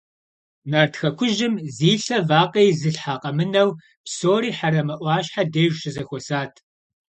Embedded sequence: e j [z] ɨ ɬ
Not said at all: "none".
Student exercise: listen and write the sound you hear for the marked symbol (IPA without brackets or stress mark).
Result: z